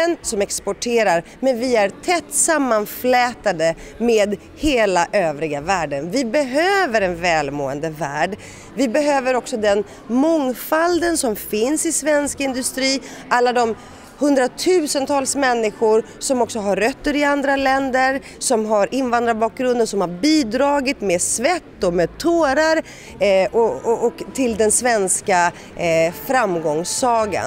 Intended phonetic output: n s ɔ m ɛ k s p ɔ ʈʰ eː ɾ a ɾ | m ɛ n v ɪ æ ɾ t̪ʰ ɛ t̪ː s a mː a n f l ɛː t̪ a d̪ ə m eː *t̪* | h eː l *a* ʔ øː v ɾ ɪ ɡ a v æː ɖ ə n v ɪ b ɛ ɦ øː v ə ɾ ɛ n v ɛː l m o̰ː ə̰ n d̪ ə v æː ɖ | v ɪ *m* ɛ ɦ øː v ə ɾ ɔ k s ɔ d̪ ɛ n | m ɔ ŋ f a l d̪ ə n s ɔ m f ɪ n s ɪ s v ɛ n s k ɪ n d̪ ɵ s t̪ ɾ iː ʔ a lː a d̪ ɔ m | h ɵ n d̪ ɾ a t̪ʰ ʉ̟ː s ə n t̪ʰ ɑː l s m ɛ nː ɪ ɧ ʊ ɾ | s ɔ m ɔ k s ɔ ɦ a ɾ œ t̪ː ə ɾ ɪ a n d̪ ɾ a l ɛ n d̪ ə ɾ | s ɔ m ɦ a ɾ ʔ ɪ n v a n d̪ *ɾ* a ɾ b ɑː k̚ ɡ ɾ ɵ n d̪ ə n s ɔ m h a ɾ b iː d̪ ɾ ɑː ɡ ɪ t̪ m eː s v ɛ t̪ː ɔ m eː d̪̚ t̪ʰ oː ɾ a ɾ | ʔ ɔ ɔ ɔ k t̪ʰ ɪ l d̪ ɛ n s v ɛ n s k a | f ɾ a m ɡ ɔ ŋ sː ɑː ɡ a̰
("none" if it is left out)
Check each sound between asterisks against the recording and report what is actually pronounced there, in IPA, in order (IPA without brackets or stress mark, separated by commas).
d̪, a, b, ɾ